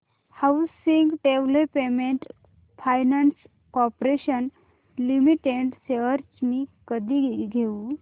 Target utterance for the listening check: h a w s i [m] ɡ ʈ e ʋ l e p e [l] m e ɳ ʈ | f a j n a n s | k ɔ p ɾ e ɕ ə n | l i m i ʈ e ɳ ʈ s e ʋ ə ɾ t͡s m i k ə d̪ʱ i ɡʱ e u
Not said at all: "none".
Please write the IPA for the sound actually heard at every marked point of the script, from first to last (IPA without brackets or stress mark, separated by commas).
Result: ŋ, none